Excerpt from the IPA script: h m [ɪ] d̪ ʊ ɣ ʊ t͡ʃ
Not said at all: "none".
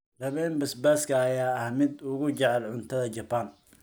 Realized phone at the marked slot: ɪ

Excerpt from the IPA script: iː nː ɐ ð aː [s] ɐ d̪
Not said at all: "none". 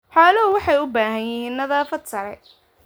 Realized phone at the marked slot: f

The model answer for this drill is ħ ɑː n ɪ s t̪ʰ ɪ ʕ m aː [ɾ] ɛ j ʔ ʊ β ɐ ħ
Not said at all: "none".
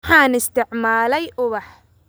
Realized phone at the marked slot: l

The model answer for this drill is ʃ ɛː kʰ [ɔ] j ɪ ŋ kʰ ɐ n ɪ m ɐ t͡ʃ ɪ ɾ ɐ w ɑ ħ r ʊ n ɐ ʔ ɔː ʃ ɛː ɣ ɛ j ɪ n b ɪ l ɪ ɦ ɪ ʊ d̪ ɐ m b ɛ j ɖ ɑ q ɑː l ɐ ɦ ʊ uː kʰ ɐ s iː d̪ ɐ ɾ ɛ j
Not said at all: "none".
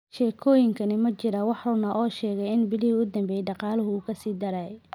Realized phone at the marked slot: ɔː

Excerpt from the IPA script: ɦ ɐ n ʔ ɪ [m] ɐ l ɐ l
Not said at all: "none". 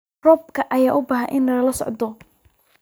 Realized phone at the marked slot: n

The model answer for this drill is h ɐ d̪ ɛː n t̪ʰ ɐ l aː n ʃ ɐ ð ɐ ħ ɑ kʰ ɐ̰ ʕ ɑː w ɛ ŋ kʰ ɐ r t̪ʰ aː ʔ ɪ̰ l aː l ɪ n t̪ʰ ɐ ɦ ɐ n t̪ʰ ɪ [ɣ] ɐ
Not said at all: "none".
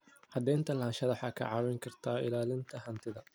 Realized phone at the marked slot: ð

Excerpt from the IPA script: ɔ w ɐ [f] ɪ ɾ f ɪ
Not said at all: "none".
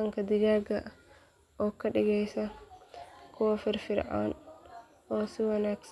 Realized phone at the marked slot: f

